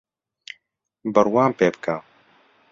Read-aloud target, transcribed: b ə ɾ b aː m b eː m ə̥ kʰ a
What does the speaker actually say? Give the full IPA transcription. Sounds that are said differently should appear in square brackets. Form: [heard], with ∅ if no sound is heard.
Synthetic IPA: b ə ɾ [w] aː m [p] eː [b] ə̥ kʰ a